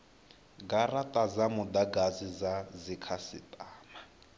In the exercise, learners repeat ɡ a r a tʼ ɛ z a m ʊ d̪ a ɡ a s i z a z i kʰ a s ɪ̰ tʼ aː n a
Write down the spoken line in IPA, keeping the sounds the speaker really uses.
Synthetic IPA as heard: ɡ a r a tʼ a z a m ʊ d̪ a ɡ a z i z a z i kʰ a s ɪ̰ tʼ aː m a